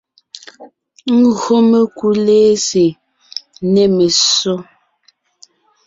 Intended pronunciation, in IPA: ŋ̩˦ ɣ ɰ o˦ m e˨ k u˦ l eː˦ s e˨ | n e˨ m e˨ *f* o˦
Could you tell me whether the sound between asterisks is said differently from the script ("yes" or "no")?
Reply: yes